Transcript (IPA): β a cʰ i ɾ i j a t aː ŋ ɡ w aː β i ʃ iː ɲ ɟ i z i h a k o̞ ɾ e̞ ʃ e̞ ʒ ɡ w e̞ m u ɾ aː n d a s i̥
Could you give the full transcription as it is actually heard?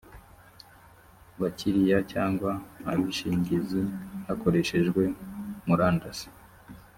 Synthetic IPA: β a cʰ i ɾ i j a c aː ŋ ɡ w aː β i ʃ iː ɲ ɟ i z i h a k o̞ ɾ e̞ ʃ e̞ ʒ ɡ w e̞ m u ɾ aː n d a s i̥